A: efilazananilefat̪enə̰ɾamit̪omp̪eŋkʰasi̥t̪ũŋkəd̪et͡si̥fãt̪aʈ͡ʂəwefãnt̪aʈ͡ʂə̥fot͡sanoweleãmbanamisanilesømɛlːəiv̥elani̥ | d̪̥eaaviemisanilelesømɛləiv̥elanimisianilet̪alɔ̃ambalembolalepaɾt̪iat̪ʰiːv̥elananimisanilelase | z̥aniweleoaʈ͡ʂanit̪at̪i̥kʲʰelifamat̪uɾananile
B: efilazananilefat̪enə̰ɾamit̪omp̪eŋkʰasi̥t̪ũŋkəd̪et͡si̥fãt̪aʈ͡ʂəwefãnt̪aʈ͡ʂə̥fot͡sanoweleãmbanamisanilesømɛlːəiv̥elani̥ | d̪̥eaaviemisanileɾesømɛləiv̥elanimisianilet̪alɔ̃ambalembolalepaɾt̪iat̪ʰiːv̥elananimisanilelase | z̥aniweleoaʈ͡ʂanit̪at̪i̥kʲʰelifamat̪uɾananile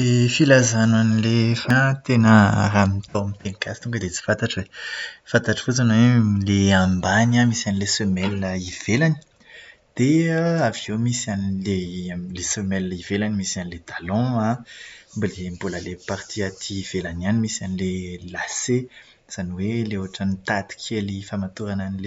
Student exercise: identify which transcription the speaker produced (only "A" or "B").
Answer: A